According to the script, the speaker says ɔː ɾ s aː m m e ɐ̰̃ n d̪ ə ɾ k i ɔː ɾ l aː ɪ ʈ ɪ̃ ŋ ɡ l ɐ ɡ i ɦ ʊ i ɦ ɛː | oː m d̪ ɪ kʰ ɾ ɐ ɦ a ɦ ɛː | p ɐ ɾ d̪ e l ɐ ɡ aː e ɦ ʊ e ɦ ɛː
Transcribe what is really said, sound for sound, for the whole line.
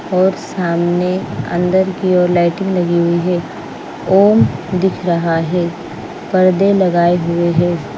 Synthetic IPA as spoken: ɔː ɾ s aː m n e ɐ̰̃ n d̪ ə ɾ k i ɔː ɾ l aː ɪ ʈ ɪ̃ ŋ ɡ l ɐ ɡ i ɦ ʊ i ɦ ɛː | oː m d̪ ɪ kʰ ɾ ɐ ɦ a ɦ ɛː | p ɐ ɾ d̪ e l ɐ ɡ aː e ɦ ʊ e ɦ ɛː